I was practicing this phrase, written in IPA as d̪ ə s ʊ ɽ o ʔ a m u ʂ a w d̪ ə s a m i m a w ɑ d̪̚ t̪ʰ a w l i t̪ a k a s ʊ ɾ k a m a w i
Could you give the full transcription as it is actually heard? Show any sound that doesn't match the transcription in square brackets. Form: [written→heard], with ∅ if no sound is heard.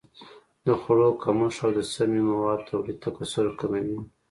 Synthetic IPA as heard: d̪ ə [s→x] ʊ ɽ o [ʔ→k] a m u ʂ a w d̪ ə s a m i m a w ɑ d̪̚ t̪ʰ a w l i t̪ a k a s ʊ ɾ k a m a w i